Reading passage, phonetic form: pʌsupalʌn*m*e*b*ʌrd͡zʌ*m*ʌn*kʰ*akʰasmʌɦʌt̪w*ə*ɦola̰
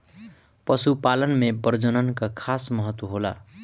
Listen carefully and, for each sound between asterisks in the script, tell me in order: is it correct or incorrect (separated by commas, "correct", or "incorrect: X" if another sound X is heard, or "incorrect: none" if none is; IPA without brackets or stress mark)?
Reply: correct, correct, incorrect: n, incorrect: k, incorrect: ʌ